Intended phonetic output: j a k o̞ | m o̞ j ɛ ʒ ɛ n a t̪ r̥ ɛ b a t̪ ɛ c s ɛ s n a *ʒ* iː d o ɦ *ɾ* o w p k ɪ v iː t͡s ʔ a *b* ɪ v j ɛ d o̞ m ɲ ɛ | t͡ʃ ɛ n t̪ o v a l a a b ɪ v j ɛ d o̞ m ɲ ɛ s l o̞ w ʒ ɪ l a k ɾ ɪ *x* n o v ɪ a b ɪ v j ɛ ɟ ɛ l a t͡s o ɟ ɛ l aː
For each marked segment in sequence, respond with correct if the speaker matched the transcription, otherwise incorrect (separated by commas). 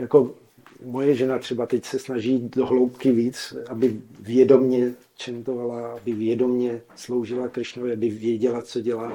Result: correct, incorrect, correct, incorrect